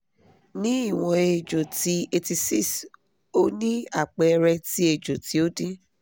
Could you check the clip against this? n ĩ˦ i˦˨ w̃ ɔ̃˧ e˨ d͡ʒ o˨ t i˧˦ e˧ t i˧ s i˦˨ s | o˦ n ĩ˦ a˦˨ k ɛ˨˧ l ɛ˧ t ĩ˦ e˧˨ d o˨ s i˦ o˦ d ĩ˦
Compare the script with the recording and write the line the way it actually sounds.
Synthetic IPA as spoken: n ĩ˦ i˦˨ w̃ ɔ̃˧ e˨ d͡ʒ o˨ t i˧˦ e˧ t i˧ s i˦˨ s | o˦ n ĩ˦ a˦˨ k͡p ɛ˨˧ ɾ ɛ˧ t i˦ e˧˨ d͡ʒ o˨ t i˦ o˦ d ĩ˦